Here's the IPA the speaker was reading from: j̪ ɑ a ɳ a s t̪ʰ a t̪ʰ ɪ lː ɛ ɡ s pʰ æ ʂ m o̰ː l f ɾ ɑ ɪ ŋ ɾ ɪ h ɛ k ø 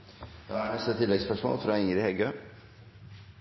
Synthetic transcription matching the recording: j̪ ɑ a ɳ ɛ s t̪ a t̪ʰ ɪ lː ɛ ɡ s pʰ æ ʂ m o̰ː l f ɾ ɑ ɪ ŋ ɾ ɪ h ɛ ɡ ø